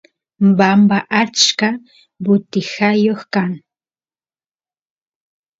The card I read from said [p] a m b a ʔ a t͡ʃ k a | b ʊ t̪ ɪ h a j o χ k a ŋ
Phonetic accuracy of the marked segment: incorrect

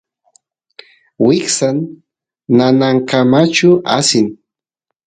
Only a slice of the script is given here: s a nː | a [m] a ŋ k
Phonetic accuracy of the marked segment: incorrect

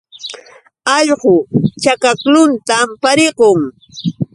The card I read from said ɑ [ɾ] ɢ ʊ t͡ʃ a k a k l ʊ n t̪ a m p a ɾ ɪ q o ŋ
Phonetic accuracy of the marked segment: incorrect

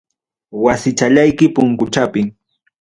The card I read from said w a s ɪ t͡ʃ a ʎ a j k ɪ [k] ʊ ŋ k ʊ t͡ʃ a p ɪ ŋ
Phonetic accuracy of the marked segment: incorrect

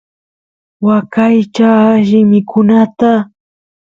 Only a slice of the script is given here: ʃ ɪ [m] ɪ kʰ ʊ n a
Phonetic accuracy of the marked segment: correct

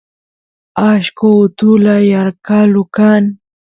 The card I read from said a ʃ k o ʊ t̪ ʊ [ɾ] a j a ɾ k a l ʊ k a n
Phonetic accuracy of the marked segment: incorrect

